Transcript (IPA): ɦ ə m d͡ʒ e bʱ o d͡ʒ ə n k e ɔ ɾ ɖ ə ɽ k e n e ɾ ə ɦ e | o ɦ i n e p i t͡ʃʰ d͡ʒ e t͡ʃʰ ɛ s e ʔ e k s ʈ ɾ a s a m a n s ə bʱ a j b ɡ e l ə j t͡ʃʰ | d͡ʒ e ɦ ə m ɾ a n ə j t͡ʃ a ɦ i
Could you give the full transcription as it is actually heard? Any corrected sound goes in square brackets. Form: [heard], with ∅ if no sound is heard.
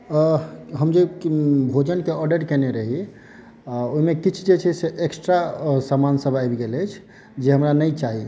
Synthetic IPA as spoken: ɦ ə m d͡ʒ e bʱ o d͡ʒ ə n k e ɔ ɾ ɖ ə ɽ k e n e ɾ ə ɦ [i] | o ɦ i [m] e [k] i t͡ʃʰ d͡ʒ e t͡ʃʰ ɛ s e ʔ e k s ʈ ɾ a s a m a n s ə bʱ a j b ɡ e l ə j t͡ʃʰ | d͡ʒ e ɦ ə m ɾ a n ə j t͡ʃ a ɦ i